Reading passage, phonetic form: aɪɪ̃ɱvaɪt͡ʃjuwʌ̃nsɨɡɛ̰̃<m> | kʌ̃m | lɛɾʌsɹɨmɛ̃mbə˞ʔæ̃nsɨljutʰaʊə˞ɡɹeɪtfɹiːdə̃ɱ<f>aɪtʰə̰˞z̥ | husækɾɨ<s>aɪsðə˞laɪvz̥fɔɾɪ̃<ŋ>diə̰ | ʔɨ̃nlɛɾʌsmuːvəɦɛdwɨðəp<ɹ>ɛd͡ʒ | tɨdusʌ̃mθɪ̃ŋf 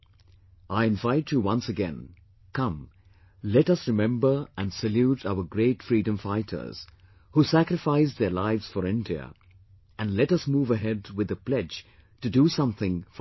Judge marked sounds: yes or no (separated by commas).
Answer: no, yes, no, no, no